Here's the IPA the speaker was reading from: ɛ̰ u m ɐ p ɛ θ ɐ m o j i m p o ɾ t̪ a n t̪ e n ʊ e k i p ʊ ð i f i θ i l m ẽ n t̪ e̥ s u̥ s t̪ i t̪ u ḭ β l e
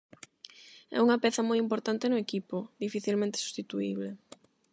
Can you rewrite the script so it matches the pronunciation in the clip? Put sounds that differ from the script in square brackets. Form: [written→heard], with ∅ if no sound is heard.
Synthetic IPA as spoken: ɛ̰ u [m→ŋ] ɐ p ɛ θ ɐ m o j i m p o ɾ t̪ a n t̪ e n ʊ e k i p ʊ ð i f i θ i l m ẽ n t̪ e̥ s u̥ s t̪ i t̪ u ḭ β l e